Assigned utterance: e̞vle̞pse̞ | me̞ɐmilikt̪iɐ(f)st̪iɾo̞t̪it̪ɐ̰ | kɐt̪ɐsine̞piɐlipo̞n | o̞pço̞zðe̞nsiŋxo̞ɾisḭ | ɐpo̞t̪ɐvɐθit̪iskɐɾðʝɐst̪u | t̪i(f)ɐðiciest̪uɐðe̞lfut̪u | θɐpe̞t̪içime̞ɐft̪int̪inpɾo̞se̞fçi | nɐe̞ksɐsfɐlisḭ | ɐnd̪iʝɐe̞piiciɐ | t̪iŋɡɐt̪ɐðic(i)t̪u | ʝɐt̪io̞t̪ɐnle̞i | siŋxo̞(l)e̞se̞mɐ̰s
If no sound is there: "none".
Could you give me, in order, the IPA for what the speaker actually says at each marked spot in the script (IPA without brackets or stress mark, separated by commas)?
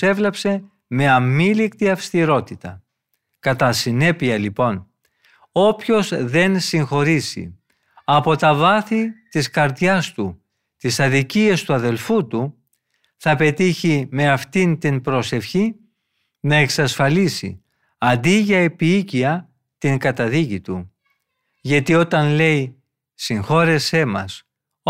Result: f, s, i, ɾ